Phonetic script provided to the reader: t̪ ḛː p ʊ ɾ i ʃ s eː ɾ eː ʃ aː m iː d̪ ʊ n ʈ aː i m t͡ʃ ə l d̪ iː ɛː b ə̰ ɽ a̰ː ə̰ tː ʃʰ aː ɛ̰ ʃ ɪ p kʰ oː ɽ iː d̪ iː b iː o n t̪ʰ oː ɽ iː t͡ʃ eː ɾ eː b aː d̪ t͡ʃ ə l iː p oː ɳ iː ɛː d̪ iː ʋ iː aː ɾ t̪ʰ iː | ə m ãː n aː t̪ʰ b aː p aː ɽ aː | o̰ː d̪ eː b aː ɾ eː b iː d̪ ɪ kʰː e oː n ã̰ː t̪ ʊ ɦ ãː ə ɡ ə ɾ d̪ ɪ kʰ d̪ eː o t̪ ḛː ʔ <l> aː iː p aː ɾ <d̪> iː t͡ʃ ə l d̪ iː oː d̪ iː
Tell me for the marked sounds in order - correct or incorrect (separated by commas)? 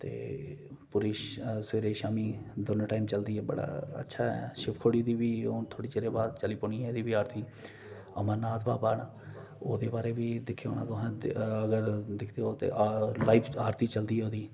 correct, incorrect